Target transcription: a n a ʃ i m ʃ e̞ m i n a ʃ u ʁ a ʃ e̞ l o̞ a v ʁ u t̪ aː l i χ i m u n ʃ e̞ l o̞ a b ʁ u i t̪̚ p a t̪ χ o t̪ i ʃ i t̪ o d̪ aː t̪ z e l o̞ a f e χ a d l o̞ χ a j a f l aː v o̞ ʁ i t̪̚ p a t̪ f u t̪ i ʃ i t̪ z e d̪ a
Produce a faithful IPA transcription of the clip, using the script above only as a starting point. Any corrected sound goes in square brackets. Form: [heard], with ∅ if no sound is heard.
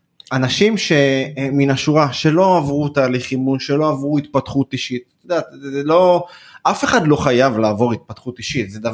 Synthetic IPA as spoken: a n a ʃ i m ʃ e̞ m i n a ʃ u ʁ a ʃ e̞ l o̞ a v ʁ u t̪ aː l i χ i m u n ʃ e̞ l o̞ a [v] ʁ u i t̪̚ p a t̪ χ [u] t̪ i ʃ i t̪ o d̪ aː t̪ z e l o̞ a f e χ a d l o̞ χ a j a [v] l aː v o̞ ʁ i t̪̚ p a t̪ [χ] u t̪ i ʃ i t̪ z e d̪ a